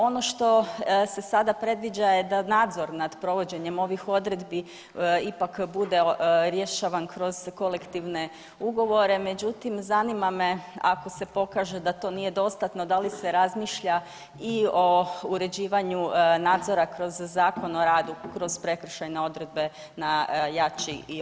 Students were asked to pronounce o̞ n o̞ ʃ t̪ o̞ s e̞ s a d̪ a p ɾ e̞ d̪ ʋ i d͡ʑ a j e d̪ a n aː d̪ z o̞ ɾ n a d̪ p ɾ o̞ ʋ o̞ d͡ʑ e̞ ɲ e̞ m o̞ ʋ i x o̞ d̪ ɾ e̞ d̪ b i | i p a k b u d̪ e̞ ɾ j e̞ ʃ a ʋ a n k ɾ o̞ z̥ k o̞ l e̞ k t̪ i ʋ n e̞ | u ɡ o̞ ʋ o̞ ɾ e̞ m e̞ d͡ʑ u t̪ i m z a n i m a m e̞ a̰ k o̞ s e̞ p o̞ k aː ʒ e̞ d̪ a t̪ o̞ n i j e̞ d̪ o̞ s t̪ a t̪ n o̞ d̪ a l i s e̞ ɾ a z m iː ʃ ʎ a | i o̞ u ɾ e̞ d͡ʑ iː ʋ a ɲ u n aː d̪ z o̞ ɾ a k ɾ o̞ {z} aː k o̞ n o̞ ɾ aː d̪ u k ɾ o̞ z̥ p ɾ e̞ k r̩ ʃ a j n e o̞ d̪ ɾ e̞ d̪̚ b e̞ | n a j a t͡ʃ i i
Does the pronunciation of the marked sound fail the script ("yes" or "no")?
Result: yes